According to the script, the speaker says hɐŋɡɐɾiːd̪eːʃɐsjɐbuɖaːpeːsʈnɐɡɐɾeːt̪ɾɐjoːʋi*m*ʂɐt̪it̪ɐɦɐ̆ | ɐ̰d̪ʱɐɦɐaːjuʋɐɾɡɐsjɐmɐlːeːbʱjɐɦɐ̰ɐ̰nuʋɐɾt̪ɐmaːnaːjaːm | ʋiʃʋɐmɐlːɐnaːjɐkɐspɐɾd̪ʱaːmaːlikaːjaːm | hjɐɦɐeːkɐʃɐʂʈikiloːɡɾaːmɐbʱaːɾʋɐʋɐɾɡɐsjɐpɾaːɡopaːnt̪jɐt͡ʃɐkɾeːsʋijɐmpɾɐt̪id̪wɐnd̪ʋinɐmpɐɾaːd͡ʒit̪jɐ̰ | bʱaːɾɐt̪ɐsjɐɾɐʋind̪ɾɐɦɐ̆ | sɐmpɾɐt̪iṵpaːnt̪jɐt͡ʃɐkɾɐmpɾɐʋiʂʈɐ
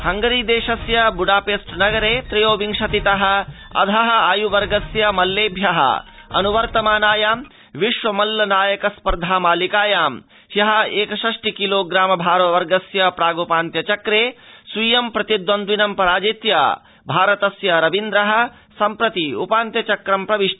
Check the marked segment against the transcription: incorrect: ŋ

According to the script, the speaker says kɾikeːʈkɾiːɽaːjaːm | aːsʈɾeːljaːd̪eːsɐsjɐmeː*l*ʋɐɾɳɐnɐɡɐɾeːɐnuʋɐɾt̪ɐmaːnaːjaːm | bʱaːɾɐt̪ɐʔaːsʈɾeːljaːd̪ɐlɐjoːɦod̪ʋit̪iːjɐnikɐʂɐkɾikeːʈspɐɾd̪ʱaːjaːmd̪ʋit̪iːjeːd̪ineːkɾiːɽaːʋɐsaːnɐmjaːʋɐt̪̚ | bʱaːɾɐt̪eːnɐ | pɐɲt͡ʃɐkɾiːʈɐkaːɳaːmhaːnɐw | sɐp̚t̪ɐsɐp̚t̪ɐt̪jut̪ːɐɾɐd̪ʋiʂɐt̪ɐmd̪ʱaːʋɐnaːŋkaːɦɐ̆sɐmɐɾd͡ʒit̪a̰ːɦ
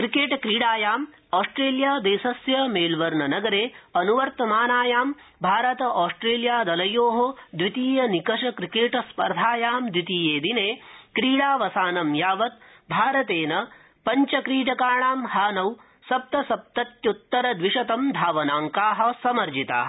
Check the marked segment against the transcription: correct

